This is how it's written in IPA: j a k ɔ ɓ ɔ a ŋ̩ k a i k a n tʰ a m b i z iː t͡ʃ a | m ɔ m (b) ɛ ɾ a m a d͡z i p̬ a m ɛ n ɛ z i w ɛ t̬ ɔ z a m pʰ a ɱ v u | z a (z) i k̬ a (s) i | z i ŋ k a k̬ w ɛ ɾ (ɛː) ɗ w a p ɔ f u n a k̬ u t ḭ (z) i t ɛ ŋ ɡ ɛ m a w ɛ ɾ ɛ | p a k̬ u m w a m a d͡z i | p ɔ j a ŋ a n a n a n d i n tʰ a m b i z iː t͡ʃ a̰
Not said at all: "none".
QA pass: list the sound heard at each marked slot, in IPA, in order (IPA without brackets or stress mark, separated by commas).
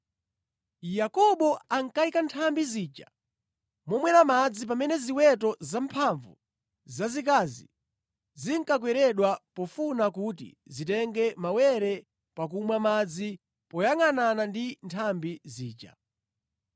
w, z, z, ɛ, z